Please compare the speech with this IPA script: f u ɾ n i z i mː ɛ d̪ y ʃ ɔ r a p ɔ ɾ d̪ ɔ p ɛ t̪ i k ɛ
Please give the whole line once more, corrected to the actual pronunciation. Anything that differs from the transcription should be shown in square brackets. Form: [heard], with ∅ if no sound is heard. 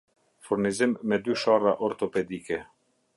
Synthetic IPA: f u ɾ n i z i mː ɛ d̪ y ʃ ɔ r a [ʔ] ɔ ɾ [t̪] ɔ p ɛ [d̪] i k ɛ